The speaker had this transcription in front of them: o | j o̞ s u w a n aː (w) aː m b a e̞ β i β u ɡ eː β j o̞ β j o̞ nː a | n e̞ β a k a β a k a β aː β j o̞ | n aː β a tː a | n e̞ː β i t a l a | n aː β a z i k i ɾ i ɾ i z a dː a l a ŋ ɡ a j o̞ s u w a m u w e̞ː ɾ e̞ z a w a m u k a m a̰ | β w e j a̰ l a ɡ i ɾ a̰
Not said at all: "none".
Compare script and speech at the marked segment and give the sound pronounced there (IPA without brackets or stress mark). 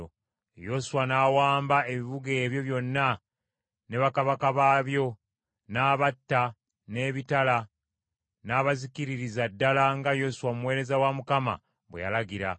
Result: w